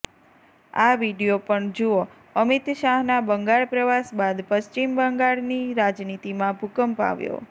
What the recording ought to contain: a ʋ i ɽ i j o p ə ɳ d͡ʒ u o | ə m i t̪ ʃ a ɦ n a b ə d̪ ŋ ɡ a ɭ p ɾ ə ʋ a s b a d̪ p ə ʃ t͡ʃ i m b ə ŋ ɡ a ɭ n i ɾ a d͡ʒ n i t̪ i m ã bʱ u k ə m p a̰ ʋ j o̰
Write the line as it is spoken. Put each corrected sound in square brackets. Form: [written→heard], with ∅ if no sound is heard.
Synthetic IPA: a ʋ i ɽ i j o p ə ɳ d͡ʒ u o | ə m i t̪ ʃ a ɦ n a b ə [d̪→∅] ŋ ɡ a ɭ p ɾ ə ʋ a s b a d̪ p ə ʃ t͡ʃ i m b ə ŋ ɡ a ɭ n i ɾ a d͡ʒ n i t̪ i m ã bʱ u k ə m p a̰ ʋ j o̰